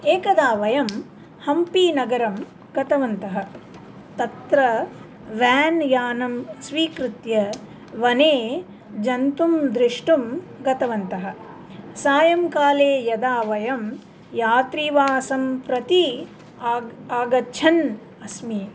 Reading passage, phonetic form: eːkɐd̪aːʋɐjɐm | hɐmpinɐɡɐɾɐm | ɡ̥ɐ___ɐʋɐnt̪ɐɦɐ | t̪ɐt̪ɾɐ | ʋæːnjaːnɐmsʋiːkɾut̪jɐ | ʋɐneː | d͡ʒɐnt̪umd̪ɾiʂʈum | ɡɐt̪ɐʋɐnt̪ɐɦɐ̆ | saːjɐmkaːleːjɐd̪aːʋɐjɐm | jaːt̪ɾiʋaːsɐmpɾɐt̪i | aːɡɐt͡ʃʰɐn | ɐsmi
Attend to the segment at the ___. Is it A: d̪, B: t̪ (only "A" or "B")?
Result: B